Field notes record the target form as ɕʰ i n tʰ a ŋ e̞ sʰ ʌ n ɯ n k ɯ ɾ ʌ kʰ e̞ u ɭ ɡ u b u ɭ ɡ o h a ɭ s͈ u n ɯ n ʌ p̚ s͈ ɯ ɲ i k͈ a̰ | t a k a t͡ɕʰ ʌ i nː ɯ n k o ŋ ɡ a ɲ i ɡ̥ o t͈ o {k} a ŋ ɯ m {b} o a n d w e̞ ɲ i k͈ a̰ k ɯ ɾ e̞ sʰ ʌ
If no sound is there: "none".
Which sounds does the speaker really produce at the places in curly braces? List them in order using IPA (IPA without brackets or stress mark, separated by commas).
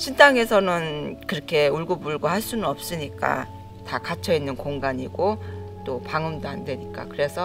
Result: p, d